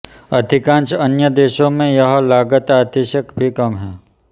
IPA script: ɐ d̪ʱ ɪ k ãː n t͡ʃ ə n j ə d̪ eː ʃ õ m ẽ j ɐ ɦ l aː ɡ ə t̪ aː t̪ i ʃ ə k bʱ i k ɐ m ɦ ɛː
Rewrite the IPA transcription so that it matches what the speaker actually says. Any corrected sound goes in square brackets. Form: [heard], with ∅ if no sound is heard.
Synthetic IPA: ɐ d̪ʱ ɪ k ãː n t͡ʃ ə n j ə d̪ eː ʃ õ m ẽ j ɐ ɦ l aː ɡ ə t̪ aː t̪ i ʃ ə k bʱ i k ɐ m ɦ ɛː